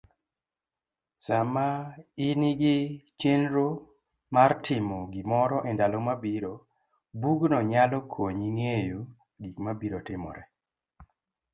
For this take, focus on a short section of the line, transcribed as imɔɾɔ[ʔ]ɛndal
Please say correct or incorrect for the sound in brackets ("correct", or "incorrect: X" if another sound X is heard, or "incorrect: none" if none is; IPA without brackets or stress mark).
correct